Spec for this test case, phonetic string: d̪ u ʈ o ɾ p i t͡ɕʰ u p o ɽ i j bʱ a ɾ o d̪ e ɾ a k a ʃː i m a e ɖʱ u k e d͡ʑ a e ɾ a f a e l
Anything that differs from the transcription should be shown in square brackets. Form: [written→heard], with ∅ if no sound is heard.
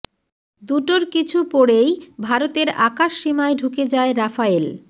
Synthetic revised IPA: d̪ u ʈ o ɾ [p→k] i t͡ɕʰ u p o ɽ [i→e] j bʱ a ɾ o [d̪→t̪] e ɾ a k a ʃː i m a e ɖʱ u k e d͡ʑ a e ɾ a f a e l